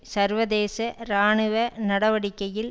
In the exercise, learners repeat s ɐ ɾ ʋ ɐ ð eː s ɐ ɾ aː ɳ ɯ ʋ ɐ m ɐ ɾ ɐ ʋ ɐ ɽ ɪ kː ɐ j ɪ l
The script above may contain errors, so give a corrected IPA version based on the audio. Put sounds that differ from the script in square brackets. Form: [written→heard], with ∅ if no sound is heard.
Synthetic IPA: s ɐ ɾ ʋ ɐ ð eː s ɐ ɾ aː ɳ ɯ ʋ ɐ [m→n] ɐ [ɾ→ɽ] ɐ ʋ ɐ ɽ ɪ kː ɐ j ɪ l